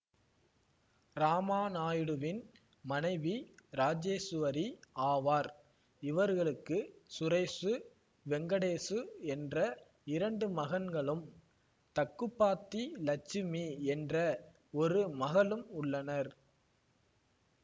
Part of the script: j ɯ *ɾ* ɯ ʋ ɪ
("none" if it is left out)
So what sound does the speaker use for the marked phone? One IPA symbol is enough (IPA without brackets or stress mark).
ɽ